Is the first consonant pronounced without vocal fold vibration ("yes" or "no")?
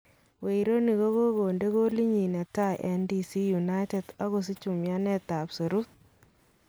no